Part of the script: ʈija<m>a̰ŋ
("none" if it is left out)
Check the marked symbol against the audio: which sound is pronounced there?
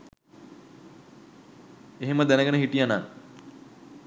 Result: n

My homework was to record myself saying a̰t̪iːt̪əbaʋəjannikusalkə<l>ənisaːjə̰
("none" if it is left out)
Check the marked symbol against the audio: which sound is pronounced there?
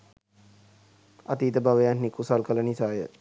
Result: l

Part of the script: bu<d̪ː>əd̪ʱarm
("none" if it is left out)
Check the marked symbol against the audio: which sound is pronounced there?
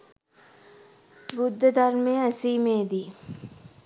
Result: d̪ː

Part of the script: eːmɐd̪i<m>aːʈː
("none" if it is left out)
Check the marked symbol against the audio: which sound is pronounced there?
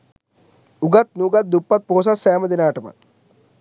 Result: n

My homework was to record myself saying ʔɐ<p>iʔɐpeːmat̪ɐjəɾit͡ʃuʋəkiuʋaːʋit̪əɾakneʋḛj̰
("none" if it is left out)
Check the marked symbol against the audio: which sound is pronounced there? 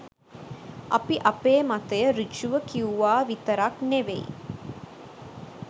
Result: p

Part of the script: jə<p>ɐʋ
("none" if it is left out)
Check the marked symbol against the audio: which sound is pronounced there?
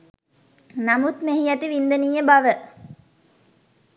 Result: b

